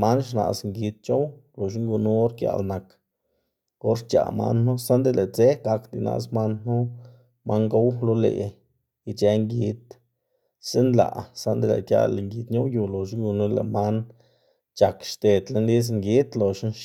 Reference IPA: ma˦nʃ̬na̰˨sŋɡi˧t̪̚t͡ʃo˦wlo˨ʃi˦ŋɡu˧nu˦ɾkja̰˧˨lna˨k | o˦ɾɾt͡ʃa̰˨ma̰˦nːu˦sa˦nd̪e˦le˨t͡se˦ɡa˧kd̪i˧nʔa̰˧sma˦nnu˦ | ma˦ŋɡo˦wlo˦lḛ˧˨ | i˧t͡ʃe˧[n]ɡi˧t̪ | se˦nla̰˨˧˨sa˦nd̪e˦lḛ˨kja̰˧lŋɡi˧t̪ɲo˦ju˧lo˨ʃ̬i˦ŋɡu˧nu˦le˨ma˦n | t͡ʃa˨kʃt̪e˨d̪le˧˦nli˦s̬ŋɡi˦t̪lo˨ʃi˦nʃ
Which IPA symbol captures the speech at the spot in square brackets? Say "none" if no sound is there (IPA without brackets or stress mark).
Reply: ŋ